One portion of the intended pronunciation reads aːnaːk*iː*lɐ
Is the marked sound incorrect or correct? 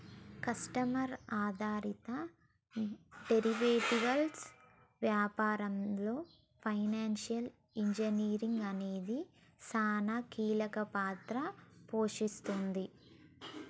correct